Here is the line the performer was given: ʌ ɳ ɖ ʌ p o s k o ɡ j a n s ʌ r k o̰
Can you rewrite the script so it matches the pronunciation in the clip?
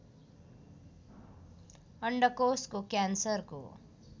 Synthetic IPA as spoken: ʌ ɳ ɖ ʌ k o s k o k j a n s ʌ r k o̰

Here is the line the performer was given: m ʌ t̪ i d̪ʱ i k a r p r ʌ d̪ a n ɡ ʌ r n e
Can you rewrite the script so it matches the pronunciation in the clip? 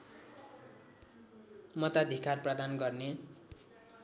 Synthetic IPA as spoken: m ʌ t̪ a d̪ʱ i k a r p r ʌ d̪ a n ɡ ʌ r n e

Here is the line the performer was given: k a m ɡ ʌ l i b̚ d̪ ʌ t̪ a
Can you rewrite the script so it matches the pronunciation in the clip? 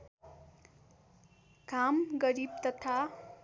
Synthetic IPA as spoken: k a m ɡ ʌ ɾ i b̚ t̪ ʌ t̪ʰ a

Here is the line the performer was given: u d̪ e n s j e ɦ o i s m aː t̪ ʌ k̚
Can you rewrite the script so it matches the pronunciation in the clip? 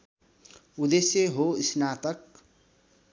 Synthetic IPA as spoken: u d̪ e s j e ɦ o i s n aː t̪ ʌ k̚

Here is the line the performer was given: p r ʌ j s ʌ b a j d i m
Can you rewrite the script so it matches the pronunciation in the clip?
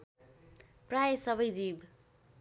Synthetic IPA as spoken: p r a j s ʌ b ʌ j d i b

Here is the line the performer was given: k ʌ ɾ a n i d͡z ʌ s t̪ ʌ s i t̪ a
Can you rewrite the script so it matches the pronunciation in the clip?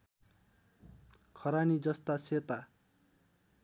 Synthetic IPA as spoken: kʰ ʌ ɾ a n i d͡z ʌ s t̪ a s e t̪ a

